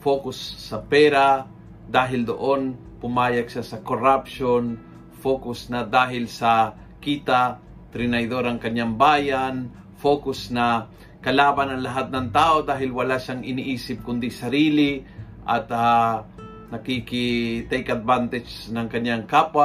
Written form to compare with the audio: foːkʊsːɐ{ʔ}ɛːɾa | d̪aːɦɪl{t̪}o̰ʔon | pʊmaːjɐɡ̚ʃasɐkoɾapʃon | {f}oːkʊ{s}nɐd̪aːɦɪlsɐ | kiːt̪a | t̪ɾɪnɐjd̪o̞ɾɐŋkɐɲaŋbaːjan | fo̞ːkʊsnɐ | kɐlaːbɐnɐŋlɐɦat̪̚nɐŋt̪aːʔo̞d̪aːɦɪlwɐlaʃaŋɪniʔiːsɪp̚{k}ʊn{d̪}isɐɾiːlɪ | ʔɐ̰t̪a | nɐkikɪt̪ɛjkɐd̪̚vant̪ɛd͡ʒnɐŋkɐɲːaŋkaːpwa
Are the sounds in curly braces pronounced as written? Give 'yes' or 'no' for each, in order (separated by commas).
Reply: no, no, yes, yes, yes, yes